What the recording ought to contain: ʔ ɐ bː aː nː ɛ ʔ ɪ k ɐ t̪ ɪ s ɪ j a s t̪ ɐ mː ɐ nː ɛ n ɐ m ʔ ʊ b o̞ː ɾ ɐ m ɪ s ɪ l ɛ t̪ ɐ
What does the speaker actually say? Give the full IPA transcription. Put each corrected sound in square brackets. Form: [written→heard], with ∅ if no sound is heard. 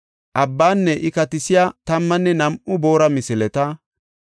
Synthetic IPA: ʔ ɐ bː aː nː ɛ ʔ ɪ k ɐ t̪ ɪ s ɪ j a [s→∅] t̪ ɐ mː ɐ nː ɛ n ɐ m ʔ ʊ b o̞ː ɾ ɐ m ɪ s ɪ l ɛ t̪ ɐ